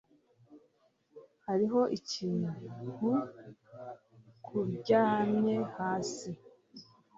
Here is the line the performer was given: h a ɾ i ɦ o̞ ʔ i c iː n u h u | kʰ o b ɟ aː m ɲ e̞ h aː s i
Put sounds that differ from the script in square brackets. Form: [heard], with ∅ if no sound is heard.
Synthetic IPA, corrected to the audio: h a ɾ i ɦ o̞ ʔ i c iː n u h u | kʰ [u] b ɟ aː m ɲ e̞ h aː s i